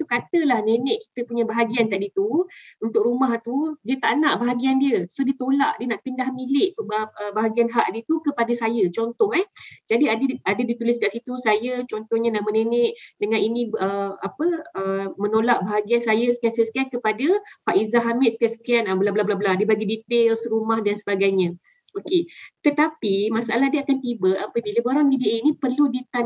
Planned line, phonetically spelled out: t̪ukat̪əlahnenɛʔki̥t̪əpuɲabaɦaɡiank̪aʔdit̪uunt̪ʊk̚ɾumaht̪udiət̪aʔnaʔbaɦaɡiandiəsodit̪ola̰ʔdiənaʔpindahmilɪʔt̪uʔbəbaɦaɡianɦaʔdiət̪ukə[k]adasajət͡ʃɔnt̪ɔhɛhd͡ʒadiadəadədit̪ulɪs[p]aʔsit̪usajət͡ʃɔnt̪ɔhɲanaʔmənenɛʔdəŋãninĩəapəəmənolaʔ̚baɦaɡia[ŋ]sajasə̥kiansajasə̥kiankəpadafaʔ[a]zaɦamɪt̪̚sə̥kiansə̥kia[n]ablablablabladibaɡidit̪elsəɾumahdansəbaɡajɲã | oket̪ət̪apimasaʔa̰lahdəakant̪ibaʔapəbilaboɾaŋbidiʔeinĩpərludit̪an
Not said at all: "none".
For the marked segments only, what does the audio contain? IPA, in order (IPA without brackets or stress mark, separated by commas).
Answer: p, k, n, i, n